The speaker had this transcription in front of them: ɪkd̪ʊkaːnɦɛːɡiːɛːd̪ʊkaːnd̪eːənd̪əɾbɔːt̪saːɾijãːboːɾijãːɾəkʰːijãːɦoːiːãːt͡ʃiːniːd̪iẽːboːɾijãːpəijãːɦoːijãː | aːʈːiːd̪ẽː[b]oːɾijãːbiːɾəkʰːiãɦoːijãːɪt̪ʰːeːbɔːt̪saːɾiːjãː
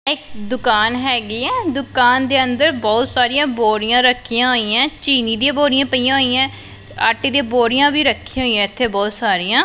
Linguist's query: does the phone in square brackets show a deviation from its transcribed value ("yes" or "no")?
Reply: no